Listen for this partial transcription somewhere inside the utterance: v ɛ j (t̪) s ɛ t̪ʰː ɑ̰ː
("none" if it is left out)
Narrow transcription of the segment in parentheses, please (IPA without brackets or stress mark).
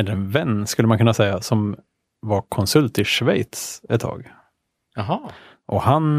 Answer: t̪